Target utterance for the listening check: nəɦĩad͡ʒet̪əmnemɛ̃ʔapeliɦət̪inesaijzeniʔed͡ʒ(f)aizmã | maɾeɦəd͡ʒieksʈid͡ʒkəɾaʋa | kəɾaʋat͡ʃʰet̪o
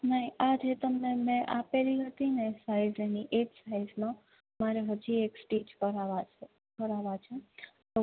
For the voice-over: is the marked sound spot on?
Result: no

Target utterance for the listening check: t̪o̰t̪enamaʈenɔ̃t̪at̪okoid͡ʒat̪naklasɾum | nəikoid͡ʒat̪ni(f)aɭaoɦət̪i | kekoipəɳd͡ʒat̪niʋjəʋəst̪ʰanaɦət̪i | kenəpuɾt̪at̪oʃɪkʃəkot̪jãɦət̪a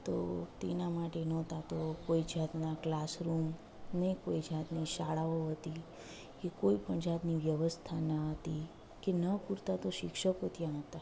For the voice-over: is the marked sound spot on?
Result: no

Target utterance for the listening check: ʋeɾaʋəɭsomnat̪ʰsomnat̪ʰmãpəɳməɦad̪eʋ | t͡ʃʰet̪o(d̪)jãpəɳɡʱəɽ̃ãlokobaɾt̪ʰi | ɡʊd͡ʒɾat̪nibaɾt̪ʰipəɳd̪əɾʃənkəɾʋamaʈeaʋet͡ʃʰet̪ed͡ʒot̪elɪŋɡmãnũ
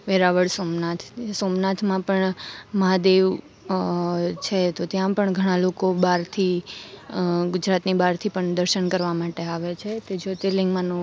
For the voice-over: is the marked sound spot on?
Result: no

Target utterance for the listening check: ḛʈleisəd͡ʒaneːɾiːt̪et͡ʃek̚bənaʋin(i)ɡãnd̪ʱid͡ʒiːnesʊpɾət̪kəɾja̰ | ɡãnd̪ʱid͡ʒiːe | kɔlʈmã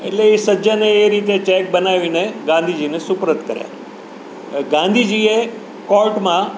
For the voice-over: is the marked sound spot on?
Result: no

